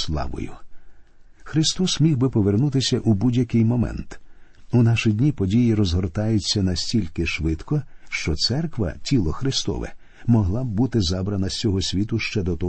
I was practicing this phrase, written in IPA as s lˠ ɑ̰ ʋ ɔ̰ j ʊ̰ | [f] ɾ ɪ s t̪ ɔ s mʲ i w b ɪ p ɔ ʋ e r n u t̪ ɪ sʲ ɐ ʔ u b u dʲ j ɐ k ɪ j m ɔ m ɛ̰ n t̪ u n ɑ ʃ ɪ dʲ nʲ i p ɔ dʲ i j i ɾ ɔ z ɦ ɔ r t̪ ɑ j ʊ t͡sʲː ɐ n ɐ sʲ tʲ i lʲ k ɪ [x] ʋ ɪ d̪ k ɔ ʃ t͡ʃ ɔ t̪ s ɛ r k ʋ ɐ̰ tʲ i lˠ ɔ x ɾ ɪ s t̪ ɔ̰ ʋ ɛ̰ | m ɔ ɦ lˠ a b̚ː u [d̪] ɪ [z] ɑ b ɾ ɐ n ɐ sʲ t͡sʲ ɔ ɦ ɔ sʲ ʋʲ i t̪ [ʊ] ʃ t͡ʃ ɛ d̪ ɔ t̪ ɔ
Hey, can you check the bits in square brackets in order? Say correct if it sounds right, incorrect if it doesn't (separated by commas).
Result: incorrect, incorrect, incorrect, correct, correct